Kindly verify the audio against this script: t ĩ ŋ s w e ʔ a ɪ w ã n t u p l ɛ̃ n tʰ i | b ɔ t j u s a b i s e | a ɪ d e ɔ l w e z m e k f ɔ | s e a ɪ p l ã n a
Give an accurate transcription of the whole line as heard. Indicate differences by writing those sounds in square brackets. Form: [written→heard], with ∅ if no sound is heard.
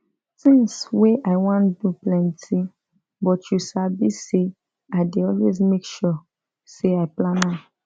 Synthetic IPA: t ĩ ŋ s w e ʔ a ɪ w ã n [t→d] u p l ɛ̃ n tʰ i | b ɔ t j u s a b i s e | a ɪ d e ɔ l w e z m e k [f→ʃ] ɔ | s e a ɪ p l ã n a